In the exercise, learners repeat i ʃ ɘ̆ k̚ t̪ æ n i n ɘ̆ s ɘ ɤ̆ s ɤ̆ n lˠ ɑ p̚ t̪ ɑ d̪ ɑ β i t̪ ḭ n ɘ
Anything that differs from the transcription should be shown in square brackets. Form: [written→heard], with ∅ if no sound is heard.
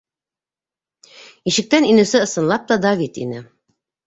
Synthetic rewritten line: i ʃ ɘ̆ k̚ t̪ æ n i n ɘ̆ s ɘ ɤ̆ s ɤ̆ n lˠ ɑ p̚ t̪ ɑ d̪ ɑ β i t̪ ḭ n ɘ